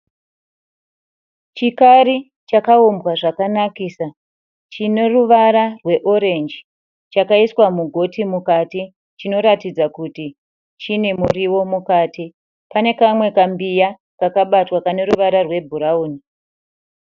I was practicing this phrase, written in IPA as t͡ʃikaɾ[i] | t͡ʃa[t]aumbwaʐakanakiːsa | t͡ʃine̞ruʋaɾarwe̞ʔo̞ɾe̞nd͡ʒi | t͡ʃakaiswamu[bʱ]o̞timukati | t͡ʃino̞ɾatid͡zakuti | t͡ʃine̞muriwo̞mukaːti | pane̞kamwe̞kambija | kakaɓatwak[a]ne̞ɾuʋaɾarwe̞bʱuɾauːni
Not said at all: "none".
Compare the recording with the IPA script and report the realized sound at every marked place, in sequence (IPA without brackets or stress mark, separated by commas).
i, k, ɡʱ, a